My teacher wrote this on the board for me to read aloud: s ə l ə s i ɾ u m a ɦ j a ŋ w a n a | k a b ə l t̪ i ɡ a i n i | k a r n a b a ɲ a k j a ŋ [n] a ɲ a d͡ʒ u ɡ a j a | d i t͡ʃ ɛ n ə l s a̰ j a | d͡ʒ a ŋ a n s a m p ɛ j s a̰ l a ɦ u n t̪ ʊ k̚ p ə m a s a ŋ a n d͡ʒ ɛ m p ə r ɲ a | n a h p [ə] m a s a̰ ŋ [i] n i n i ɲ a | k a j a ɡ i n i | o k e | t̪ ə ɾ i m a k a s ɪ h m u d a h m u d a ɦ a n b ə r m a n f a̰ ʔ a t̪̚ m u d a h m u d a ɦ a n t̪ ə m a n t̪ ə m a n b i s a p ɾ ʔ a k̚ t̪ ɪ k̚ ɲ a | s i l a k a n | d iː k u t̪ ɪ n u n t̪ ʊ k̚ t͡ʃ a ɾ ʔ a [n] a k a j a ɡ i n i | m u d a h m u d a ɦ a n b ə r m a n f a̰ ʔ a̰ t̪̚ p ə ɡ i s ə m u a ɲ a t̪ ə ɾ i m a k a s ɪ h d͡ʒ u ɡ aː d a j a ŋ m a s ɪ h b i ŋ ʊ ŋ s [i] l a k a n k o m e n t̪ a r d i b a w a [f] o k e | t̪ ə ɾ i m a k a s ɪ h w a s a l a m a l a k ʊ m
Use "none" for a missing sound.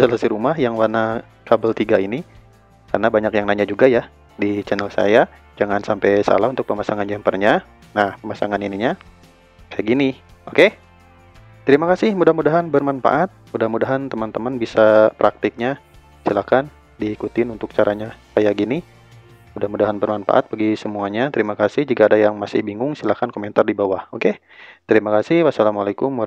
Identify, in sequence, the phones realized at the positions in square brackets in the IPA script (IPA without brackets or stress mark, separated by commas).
n, ə, a, ɲ, i, h